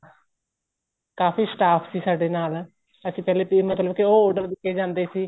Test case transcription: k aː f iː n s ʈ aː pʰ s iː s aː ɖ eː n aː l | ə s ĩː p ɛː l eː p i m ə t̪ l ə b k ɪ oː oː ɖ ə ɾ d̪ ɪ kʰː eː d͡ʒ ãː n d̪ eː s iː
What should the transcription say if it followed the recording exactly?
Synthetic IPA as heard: k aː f iː s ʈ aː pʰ s iː s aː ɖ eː n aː l | ə s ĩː p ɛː l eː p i m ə t̪ l ə b k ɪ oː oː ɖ ə ɾ d̪ ɪ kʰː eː d͡ʒ ãː n d̪ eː s iː